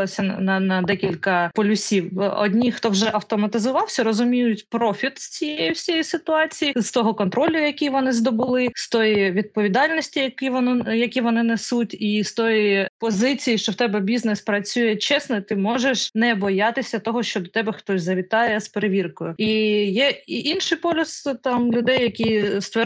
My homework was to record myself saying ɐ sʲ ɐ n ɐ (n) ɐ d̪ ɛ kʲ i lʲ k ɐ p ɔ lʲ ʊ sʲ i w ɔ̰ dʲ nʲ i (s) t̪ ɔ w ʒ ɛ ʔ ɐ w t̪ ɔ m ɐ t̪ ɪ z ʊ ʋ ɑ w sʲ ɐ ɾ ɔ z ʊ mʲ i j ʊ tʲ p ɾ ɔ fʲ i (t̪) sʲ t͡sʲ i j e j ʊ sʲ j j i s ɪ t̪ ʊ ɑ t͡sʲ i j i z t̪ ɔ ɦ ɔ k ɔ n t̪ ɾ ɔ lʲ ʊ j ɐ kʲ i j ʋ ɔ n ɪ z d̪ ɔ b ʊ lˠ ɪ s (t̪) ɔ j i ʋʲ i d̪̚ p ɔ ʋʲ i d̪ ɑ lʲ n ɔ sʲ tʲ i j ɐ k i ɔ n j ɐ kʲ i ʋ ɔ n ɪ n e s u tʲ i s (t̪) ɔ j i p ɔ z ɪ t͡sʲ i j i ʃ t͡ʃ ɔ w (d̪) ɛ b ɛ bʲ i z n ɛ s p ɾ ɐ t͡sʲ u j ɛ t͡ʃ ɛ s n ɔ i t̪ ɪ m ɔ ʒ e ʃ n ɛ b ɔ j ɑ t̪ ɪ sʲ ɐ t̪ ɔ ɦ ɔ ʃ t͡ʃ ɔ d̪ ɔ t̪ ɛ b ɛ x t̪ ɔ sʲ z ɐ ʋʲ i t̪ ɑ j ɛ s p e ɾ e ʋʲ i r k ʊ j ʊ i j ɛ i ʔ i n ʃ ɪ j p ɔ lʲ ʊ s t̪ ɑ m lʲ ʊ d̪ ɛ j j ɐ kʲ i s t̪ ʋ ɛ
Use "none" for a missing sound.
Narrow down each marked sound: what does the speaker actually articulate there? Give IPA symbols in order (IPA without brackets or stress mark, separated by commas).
n, x, t̪, t̪, t̪, t̪